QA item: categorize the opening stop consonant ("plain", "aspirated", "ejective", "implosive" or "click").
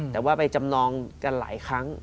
plain